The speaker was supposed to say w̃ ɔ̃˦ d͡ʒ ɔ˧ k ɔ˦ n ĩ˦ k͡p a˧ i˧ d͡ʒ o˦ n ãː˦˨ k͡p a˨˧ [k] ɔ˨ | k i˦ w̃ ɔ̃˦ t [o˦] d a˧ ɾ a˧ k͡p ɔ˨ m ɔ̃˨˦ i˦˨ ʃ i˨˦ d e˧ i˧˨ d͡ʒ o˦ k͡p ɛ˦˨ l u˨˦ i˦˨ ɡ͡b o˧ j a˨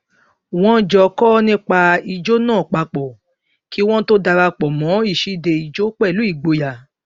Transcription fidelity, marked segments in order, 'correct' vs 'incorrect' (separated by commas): incorrect, correct